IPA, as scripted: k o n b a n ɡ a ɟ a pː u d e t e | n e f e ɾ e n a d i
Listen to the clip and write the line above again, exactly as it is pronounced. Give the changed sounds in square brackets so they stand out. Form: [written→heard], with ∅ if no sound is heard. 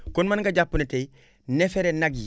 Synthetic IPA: k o n [b→m] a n ɡ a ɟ a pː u [d→n] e t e | n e f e ɾ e n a [d→ɡ] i